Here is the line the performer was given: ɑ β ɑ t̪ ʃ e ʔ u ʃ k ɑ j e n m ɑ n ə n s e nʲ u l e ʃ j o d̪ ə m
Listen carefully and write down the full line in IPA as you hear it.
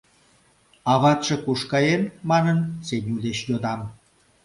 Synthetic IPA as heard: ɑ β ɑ t̪ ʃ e k u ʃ k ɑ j e n m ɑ n ə n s e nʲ u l e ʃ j o d̪ ɑ m